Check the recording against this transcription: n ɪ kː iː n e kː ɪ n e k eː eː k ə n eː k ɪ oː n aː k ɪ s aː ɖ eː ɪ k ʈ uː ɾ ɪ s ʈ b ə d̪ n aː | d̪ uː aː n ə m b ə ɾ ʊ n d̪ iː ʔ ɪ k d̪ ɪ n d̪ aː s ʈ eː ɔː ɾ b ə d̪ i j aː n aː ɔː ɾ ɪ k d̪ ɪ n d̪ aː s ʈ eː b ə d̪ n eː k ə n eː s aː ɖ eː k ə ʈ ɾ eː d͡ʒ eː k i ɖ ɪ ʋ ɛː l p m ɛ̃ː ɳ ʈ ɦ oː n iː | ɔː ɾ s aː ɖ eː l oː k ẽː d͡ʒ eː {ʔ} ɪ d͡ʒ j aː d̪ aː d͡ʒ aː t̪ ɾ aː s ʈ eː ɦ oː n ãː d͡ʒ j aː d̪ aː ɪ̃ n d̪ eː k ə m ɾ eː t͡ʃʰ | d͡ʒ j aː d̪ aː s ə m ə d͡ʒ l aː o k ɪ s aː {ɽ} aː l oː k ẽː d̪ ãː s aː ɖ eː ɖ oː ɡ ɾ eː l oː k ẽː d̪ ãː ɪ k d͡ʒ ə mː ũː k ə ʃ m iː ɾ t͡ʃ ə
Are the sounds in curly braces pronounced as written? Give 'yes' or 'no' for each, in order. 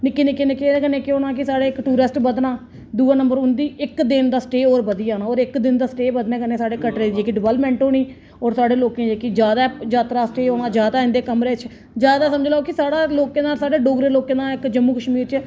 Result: no, yes

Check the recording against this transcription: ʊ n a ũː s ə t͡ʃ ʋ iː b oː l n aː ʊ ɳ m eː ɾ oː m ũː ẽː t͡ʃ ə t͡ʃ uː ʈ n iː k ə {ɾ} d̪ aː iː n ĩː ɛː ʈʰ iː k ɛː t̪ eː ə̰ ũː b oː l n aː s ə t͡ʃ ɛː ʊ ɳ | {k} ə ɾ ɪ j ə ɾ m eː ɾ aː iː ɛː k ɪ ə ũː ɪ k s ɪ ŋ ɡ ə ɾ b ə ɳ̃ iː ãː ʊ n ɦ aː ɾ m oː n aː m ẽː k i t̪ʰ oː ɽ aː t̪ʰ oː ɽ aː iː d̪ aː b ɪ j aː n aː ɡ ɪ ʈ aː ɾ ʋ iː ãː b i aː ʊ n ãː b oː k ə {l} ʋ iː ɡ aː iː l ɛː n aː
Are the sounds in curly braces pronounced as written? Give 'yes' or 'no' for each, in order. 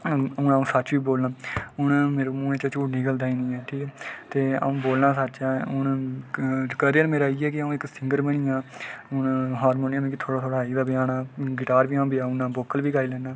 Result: no, yes, yes

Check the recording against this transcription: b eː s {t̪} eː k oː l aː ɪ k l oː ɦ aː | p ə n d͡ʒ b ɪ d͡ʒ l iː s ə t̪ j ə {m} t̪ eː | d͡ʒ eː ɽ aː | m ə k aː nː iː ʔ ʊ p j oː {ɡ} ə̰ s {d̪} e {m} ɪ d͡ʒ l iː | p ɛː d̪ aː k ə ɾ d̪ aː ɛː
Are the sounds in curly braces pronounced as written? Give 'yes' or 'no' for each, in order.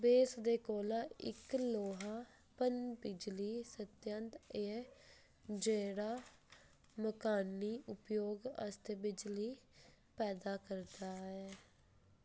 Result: no, no, yes, no, no

